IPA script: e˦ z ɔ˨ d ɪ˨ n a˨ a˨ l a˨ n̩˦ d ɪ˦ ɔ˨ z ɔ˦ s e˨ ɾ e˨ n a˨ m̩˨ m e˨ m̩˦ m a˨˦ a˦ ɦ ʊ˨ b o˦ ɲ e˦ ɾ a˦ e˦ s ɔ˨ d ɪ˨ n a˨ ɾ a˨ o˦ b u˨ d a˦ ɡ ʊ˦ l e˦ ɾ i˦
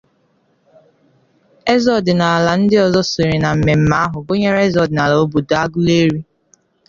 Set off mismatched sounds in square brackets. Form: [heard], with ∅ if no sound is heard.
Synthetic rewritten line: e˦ z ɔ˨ d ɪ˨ n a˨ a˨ l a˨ n̩˦ d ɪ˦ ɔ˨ z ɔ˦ s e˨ ɾ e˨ n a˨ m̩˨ m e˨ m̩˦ m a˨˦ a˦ ɦ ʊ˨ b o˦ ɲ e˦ ɾ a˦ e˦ [z] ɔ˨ d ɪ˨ n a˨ [l] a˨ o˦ b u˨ d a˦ ɡ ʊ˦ l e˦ ɾ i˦